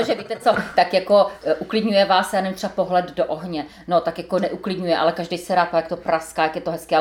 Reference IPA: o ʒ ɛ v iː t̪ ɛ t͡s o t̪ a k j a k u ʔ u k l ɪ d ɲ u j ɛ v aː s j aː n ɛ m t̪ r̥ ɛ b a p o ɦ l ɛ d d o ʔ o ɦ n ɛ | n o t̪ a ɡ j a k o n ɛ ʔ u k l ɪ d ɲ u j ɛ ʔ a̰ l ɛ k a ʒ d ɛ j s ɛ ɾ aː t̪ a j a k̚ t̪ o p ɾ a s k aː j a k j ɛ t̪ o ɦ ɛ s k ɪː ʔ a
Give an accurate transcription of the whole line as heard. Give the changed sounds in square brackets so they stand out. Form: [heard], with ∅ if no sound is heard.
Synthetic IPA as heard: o ʒ ɛ v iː t̪ ɛ t͡s o t̪ a k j a k [o] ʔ u k l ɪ d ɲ u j ɛ v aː s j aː n ɛ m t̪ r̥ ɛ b a p o ɦ l ɛ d d o ʔ o ɦ [ɲ] ɛ | n o t̪ a [k] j a k o n ɛ ʔ u k l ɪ d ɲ u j ɛ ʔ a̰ l ɛ k a ʒ d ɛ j s ɛ ɾ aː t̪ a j a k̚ t̪ o p ɾ a s k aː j a k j ɛ t̪ o ɦ ɛ s k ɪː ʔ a